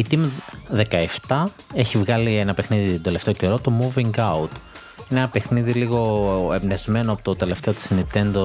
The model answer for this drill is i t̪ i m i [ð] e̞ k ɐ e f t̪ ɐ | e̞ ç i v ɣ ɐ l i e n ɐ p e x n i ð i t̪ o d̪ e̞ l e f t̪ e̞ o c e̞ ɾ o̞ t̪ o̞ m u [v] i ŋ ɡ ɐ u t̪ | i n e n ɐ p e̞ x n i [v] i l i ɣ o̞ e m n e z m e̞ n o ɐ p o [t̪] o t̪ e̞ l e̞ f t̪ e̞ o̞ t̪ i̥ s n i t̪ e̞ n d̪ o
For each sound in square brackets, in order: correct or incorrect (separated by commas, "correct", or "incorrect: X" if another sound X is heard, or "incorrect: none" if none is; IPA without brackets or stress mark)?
correct, correct, incorrect: ð, correct